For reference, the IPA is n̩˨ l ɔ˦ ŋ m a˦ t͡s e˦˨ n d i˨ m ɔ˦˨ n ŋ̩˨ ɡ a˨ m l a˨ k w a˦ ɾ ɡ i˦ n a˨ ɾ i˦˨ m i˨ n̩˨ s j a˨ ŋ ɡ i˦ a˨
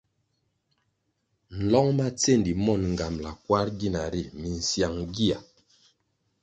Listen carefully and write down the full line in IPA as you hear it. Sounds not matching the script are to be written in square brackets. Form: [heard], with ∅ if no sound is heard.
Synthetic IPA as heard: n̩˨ l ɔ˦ ŋ m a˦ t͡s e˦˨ n d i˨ m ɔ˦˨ n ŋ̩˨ ɡ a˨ m l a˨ k w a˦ ɾ ɡ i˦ n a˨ ɾ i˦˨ m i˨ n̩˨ s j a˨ ŋ ɡ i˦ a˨